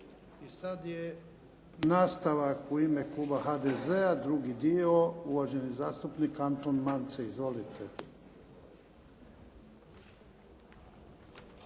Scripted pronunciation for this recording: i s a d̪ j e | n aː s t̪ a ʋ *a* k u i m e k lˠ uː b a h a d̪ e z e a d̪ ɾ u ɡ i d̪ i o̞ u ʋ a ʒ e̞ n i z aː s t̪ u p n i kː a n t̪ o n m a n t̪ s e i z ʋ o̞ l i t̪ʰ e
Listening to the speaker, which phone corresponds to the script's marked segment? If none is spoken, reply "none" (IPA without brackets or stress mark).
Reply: a